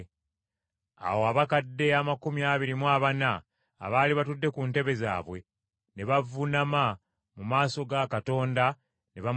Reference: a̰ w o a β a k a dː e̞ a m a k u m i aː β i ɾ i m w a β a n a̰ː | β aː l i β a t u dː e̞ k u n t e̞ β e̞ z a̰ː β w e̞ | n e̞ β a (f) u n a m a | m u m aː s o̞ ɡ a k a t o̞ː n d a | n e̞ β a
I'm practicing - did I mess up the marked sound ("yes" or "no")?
yes